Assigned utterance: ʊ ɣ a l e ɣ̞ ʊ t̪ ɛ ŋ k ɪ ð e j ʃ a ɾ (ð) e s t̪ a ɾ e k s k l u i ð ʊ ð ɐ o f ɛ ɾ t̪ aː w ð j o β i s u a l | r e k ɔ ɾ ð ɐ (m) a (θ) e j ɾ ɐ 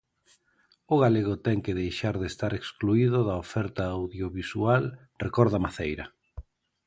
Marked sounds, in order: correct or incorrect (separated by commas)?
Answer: correct, correct, correct